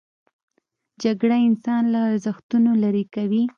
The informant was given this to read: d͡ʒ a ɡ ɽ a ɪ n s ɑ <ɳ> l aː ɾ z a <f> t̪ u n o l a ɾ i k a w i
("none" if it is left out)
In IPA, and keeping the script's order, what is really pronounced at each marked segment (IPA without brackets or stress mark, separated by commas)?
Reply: n, x